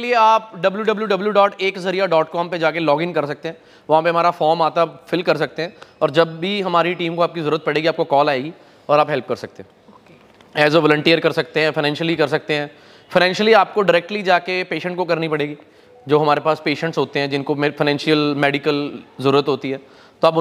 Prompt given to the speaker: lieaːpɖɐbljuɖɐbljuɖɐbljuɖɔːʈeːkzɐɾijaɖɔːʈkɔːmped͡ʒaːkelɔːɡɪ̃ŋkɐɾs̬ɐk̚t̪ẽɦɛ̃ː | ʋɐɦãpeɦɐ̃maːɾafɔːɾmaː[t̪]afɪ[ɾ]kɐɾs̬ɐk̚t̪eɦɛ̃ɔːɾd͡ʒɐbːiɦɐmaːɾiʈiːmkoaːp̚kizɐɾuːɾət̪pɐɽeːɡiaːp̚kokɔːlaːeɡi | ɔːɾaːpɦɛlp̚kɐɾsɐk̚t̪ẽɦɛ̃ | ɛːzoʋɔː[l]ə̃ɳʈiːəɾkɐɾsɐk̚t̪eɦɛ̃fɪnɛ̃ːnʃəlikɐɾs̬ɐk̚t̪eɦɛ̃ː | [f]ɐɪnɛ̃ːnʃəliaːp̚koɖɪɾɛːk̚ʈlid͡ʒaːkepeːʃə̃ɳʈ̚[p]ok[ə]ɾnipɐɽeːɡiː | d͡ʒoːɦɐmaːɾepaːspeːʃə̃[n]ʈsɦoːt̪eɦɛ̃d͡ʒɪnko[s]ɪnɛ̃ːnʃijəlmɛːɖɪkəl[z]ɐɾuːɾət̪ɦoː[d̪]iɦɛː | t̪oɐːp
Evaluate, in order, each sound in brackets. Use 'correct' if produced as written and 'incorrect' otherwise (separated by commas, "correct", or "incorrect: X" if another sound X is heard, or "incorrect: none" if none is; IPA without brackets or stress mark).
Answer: correct, incorrect: l, correct, correct, incorrect: k, incorrect: ɐ, incorrect: ɳ, incorrect: f, correct, incorrect: t̪